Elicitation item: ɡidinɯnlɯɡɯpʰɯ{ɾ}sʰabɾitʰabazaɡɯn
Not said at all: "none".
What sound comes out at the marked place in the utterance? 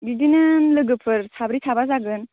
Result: ɾ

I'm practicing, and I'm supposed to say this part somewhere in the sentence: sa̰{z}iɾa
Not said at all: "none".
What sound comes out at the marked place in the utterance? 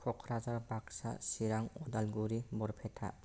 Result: s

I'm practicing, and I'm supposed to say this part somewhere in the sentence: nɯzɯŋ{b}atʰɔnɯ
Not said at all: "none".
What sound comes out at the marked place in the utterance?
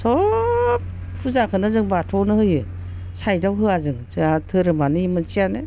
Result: b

